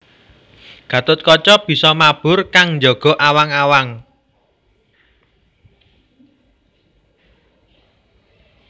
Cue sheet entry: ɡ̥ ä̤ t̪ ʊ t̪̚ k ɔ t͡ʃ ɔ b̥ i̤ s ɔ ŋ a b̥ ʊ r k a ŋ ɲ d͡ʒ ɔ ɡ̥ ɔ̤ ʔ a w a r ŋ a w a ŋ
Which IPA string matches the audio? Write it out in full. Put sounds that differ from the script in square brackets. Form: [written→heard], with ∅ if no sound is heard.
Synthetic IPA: ɡ̥ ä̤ t̪ ʊ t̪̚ k ɔ t͡ʃ ɔ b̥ i̤ s ɔ [ŋ→m] a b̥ ʊ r k a ŋ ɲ d͡ʒ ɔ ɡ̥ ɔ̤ ʔ a w a [r→∅] ŋ a w a ŋ